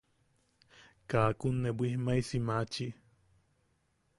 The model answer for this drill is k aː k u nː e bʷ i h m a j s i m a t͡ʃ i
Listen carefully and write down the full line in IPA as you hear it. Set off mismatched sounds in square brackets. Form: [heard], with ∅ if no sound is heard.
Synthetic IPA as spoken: k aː k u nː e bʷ i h m a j s i m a t͡ʃ i